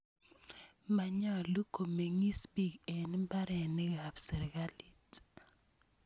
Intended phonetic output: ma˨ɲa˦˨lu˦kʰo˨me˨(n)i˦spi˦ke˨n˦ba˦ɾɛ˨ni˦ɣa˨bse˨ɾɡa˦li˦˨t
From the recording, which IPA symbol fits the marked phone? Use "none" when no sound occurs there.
ŋ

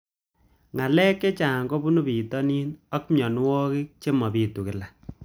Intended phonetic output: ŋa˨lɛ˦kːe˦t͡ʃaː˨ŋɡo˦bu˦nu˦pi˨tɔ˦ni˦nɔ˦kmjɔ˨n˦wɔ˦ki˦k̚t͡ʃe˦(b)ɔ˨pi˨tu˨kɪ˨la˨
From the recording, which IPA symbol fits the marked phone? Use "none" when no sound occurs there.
m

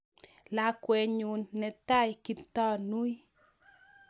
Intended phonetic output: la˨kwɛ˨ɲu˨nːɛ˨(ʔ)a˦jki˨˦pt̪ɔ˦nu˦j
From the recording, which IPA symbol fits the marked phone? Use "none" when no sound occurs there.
t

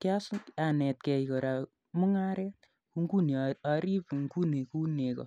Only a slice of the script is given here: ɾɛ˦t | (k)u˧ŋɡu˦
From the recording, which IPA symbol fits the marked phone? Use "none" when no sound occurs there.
k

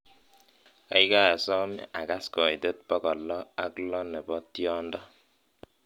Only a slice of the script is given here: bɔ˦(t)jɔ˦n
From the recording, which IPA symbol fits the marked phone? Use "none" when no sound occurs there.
t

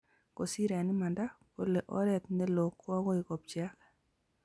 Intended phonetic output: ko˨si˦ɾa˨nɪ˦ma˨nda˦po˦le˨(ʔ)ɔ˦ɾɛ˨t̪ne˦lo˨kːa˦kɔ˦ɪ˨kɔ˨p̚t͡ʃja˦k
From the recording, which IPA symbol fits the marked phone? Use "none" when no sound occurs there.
ʔ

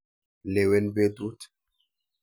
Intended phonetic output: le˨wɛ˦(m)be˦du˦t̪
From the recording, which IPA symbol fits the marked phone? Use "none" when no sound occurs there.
n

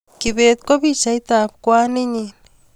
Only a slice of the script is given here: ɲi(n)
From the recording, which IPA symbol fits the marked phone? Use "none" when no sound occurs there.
n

